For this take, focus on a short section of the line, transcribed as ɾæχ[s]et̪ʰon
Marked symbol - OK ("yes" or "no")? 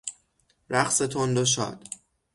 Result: yes